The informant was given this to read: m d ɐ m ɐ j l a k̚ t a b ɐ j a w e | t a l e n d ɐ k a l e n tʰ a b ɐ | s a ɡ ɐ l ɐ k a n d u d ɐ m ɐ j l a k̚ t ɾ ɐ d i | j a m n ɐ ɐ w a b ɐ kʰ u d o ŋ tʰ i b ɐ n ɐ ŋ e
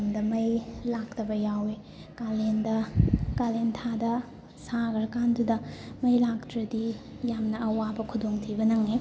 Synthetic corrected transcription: m d ɐ m ɐ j l a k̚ t ɐ b ɐ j a w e | k a l e n d ɐ k a l e n tʰ a d ɐ | s a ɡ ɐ ɾ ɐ k a n d u d ɐ m ɐ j l a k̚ t ɾ ɐ d i | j a m n ɐ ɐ w a b ɐ kʰ u d o ŋ tʰ i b ɐ n ɐ ŋ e